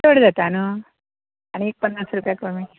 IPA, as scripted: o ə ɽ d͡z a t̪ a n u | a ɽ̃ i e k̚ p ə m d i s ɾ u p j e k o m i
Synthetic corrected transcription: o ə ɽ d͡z a t̪ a n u | a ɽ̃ i e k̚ p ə n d a s ɾ u p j a k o m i